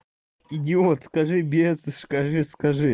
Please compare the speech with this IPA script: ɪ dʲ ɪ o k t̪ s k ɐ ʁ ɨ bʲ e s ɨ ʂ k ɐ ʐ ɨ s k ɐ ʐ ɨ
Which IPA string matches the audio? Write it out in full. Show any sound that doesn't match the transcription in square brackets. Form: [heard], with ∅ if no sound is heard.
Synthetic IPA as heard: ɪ dʲ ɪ o [∅] t̪ s k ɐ [ʐ] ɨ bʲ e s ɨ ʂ k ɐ ʐ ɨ s k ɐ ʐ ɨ